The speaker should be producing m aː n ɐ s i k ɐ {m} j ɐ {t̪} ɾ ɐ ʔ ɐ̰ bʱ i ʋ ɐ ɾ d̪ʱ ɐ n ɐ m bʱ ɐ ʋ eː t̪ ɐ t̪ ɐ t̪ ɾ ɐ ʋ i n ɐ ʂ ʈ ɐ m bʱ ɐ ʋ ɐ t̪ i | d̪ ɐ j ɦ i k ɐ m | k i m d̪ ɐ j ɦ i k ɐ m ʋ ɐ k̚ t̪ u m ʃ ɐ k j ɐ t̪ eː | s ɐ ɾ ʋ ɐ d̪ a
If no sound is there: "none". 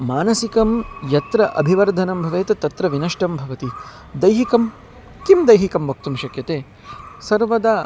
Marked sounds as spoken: m, t̪

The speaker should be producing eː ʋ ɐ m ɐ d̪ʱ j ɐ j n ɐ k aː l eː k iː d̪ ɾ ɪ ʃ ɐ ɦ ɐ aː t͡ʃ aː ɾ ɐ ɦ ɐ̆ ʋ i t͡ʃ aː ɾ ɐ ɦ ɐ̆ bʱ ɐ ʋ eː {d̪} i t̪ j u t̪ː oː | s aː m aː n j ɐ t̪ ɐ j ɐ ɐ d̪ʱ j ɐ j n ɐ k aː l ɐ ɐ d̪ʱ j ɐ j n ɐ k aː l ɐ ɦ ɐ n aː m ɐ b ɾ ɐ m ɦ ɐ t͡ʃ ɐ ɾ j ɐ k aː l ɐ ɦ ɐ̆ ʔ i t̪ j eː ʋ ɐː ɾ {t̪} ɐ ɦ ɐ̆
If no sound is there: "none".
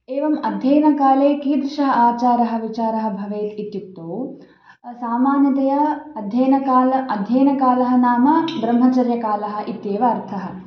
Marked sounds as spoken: t̪, t̪ʰ

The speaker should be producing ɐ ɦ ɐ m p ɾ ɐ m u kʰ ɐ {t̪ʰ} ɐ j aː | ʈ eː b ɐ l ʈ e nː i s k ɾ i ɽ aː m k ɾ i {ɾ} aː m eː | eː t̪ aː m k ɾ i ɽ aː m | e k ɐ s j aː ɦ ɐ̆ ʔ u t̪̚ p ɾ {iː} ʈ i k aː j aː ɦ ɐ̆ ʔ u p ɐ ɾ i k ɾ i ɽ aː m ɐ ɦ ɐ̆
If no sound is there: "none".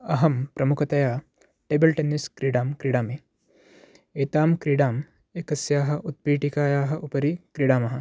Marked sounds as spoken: t̪, ɽ, iː

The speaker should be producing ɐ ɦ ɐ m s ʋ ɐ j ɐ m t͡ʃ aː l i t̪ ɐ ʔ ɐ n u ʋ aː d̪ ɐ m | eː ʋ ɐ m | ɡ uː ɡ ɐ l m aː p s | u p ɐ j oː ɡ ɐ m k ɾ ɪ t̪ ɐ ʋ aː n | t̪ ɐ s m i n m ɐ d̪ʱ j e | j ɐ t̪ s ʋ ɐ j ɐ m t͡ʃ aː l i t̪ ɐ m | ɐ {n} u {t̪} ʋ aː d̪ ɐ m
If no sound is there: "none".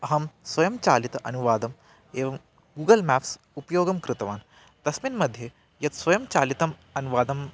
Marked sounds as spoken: n, none

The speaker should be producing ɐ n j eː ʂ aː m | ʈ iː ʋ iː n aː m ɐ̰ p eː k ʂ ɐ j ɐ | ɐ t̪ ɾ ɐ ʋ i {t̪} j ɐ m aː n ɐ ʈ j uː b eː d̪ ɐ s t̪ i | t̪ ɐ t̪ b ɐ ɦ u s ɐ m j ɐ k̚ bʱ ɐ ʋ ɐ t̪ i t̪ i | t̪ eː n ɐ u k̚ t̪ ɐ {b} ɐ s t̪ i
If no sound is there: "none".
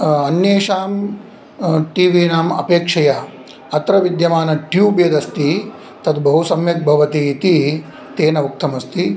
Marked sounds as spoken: d̪, m

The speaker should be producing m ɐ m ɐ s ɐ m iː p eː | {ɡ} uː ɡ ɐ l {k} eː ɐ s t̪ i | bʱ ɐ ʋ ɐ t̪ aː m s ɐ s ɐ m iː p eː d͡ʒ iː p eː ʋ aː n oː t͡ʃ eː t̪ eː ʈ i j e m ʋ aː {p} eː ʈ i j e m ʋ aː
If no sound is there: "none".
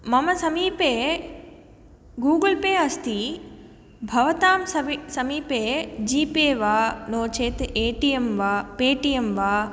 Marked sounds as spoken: ɡ, p, p

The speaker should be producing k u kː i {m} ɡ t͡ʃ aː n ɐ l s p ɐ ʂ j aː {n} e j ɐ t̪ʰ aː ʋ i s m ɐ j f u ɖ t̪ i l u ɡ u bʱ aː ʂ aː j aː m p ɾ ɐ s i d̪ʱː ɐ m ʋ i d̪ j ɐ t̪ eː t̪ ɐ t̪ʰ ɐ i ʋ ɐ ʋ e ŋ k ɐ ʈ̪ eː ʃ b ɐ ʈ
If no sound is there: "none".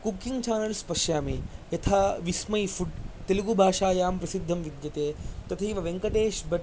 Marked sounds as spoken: ŋ, m

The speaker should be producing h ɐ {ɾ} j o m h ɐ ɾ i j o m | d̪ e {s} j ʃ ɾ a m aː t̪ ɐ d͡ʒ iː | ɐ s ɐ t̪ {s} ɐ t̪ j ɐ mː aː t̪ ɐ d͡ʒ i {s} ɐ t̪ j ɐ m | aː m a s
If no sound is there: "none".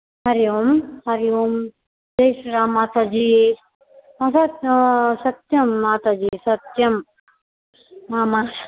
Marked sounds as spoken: ɾ, none, s, s

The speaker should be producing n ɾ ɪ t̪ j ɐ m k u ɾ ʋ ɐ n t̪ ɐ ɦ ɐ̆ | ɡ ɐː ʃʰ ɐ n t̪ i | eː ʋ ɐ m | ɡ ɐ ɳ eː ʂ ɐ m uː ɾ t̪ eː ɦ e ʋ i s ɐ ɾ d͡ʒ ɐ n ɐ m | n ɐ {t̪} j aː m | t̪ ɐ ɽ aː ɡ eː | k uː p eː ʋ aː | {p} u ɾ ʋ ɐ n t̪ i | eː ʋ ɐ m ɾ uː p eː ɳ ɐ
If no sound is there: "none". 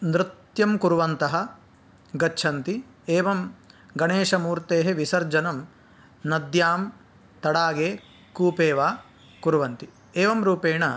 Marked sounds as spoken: d̪, k

